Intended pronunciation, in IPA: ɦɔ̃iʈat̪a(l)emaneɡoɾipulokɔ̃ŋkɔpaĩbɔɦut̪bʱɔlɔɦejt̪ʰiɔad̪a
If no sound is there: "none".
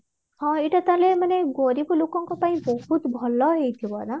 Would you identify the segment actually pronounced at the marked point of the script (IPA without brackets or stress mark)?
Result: l